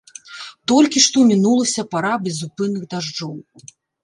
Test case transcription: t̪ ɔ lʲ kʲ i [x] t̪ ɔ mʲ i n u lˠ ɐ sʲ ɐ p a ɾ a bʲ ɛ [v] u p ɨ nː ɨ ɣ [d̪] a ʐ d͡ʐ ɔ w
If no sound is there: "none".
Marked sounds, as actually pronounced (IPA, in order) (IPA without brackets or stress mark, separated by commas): ʂ, z, d̪